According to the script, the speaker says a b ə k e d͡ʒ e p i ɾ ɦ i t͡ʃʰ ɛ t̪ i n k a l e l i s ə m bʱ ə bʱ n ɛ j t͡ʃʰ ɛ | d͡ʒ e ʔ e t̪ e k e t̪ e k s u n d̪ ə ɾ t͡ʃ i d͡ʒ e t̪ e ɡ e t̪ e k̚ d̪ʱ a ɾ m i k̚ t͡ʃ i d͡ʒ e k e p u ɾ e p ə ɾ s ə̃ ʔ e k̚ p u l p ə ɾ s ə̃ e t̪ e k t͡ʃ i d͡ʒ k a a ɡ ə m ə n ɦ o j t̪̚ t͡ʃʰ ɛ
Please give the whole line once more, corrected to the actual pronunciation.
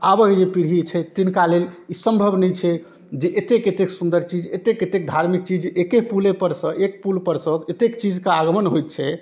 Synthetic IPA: a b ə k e d͡ʒ e p i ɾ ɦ i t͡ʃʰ ɛ t̪ i n k a l e l i s ə m bʱ ə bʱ n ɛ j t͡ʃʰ ɛ | d͡ʒ e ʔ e t̪ e k e t̪ e k s u n d̪ ə ɾ t͡ʃ i d͡ʒ e t̪ e k e t̪ e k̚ d̪ʱ a ɾ m i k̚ t͡ʃ i d͡ʒ e k e p u l e p ə ɾ s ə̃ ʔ e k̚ p u l p ə ɾ s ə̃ e t̪ e k t͡ʃ i d͡ʒ k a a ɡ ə m ə n ɦ o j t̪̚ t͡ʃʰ ɛ